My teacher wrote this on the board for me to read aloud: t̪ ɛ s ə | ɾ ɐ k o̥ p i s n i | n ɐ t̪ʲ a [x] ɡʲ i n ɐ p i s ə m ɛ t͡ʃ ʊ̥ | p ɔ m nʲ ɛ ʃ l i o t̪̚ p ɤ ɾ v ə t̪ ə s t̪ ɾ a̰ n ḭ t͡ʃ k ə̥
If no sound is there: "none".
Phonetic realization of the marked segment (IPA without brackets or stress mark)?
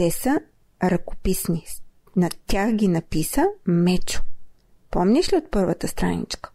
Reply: x